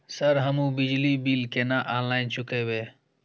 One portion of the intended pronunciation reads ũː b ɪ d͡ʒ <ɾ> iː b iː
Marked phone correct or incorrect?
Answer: incorrect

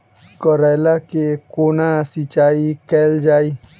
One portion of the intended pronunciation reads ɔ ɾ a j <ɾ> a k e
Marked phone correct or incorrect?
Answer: incorrect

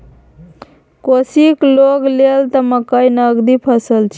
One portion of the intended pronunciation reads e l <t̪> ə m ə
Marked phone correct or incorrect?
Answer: correct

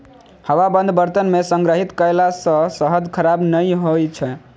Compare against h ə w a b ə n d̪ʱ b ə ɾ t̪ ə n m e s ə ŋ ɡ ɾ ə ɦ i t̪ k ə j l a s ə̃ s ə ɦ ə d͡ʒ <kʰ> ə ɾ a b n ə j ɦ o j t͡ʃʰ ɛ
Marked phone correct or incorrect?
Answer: correct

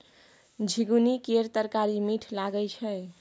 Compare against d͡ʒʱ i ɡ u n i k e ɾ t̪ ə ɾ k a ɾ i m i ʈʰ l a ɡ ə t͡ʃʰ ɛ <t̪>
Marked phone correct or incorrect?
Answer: incorrect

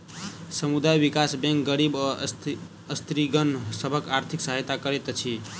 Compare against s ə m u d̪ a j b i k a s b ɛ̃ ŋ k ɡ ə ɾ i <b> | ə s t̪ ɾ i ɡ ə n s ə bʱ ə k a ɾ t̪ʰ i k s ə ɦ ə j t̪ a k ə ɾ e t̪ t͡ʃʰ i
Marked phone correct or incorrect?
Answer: correct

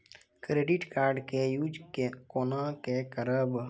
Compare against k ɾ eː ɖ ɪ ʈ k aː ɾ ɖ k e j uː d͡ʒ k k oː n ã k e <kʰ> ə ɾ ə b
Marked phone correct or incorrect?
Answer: incorrect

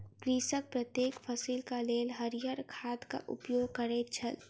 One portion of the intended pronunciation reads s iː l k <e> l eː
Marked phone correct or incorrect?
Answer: incorrect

